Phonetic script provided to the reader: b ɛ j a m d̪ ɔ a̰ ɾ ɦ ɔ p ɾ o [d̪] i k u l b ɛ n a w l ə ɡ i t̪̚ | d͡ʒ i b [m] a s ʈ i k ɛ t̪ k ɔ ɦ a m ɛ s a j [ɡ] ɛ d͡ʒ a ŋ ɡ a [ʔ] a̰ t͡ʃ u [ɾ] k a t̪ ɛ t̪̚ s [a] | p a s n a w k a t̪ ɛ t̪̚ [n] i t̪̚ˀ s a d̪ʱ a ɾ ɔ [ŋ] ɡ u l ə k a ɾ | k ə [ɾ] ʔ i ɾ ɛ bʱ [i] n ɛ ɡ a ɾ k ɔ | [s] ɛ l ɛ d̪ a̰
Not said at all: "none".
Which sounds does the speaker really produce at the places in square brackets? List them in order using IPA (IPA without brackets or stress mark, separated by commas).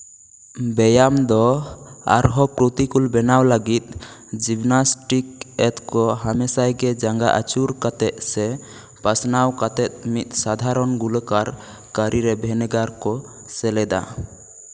t̪, n, ɡ, ʔ, ɾ, ɛ, m, n, ɾ, ɛ, s